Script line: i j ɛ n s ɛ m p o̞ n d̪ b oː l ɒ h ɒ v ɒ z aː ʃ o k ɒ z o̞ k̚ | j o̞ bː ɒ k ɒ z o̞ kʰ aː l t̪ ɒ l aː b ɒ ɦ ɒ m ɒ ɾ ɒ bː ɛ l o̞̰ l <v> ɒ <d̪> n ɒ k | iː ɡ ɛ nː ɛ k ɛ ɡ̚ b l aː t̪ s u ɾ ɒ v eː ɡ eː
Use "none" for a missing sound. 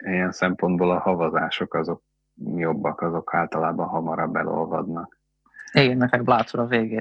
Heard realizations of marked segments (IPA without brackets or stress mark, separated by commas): v, d̪